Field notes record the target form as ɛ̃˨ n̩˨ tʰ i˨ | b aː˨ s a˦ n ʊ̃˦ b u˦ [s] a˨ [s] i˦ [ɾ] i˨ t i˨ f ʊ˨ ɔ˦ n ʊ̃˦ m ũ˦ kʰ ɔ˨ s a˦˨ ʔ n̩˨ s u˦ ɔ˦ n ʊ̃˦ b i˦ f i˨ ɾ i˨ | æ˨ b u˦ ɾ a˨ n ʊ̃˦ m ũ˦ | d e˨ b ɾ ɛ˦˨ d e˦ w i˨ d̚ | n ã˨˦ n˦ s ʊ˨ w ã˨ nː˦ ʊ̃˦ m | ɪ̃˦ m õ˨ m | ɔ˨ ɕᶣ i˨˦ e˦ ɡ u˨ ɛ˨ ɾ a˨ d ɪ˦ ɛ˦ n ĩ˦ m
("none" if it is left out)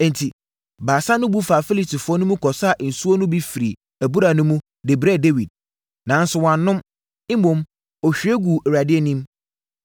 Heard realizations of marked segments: f, f, l

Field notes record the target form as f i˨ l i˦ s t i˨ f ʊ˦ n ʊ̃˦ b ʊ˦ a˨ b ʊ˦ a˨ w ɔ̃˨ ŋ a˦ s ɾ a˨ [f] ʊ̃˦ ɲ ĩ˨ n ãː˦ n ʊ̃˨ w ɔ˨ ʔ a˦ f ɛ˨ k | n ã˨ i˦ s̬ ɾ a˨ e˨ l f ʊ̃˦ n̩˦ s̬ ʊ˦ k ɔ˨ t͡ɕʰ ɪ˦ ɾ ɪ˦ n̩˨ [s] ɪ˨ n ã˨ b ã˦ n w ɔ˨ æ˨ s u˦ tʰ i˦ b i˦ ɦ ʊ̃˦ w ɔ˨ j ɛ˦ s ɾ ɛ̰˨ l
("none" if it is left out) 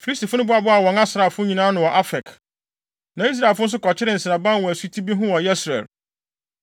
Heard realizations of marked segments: f, s

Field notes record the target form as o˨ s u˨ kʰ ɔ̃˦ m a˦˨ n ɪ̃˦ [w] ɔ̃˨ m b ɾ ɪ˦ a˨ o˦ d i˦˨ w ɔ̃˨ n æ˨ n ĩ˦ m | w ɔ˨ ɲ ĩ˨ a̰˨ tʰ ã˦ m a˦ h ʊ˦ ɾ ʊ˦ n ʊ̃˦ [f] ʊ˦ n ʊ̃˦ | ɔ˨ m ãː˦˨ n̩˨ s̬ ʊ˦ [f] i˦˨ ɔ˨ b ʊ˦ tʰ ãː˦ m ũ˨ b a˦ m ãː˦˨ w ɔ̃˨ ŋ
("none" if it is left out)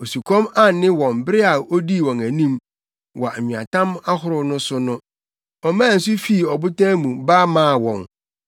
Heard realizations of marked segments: w, s, f

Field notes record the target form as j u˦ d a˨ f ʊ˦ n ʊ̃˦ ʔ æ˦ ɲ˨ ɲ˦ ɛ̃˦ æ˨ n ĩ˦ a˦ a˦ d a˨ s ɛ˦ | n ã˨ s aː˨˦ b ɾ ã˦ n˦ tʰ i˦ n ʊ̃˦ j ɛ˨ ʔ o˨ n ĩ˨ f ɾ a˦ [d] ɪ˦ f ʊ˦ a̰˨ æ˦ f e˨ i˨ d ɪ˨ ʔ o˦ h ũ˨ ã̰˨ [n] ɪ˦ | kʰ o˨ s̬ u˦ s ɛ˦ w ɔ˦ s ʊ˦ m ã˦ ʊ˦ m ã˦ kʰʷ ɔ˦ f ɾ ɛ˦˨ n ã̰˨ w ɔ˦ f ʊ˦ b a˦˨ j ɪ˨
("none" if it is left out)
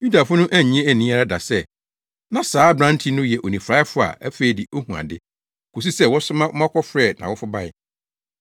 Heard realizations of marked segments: none, d

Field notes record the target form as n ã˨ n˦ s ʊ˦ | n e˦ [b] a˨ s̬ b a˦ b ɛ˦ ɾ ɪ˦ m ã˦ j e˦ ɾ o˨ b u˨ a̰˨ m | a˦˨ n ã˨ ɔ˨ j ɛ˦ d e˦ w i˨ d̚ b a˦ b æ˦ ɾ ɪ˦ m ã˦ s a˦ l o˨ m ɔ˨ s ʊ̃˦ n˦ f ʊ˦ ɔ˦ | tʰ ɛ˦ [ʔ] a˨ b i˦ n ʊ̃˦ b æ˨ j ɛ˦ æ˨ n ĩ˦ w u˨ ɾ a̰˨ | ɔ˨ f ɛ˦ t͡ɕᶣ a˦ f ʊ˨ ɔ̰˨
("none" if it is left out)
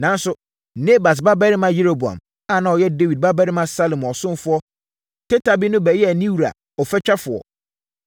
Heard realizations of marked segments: b, t

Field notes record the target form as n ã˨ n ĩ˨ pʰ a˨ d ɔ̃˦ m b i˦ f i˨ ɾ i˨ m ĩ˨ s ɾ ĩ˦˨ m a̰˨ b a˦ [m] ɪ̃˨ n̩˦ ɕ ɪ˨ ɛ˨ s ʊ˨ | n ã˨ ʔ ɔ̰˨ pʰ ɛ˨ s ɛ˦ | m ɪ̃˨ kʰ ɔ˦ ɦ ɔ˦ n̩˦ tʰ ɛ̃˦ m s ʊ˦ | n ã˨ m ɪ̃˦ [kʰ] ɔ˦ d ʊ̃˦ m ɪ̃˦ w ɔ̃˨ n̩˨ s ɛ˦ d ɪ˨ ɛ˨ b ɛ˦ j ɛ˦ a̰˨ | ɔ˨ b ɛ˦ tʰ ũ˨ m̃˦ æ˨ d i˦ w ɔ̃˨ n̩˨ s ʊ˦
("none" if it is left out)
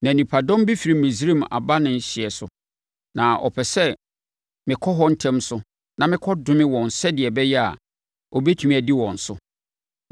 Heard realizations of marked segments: n, kʰ

